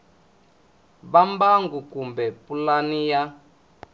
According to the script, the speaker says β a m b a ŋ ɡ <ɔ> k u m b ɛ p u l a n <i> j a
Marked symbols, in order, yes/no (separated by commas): no, yes